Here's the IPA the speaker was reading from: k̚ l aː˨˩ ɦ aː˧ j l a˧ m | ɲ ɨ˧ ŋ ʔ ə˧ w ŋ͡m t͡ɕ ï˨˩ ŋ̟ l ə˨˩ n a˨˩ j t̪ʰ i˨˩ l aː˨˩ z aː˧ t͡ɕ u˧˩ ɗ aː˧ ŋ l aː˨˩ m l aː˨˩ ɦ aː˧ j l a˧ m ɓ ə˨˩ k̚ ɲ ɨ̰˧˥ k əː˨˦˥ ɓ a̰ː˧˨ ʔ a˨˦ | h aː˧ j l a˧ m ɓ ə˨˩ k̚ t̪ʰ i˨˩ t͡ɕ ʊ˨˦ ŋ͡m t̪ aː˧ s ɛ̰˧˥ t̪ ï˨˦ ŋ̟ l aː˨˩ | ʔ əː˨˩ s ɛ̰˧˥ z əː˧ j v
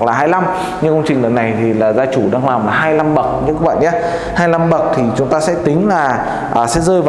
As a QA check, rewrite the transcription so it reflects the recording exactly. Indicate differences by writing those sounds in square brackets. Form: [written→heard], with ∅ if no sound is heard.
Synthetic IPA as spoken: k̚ l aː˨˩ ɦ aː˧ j l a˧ m | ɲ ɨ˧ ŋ [ʔ→k] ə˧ w ŋ͡m t͡ɕ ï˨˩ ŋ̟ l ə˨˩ n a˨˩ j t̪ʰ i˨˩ l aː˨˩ z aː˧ t͡ɕ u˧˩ ɗ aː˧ ŋ l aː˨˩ m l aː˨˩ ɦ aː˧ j l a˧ m ɓ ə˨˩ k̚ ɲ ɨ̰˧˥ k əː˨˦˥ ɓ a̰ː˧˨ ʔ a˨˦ | h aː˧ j l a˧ m ɓ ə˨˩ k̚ t̪ʰ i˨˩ t͡ɕ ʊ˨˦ ŋ͡m t̪ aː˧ s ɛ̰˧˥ t̪ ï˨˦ ŋ̟ l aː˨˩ | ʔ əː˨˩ s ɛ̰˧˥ z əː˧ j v

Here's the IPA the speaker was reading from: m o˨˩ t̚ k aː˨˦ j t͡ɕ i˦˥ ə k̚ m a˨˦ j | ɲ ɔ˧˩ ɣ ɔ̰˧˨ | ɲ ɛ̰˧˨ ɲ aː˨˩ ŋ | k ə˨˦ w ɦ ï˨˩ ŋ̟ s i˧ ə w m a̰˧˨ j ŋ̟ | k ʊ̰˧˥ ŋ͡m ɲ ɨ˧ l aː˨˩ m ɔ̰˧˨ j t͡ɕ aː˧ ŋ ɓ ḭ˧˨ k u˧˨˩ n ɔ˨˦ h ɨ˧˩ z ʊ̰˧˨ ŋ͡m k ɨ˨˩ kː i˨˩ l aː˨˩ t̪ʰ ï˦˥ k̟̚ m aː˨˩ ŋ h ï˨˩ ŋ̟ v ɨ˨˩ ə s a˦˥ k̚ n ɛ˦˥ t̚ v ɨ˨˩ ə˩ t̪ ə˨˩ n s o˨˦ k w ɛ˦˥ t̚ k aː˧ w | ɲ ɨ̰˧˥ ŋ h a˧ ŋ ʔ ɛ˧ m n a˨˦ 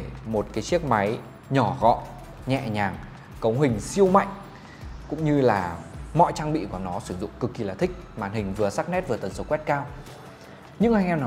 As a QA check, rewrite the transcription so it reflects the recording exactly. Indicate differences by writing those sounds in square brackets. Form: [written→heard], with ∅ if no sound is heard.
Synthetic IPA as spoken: m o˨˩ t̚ k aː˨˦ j t͡ɕ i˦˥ ə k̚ m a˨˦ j | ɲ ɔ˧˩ ɣ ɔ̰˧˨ | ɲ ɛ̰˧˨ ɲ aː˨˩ ŋ | k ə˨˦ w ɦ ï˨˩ ŋ̟ s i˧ ə w m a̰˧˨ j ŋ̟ | k ʊ̰˧˥ ŋ͡m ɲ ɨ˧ l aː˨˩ m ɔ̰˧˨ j t͡ɕ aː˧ ŋ ɓ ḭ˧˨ k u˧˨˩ n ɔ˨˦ [h→s] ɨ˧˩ z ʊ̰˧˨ ŋ͡m k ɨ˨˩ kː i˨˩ l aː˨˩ t̪ʰ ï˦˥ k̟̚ m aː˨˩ [ŋ→n] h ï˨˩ ŋ̟ v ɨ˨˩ ə s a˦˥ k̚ n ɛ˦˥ t̚ v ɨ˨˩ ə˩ t̪ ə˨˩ n s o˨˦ k w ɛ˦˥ t̚ k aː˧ w | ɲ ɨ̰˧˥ ŋ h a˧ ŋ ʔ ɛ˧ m n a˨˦

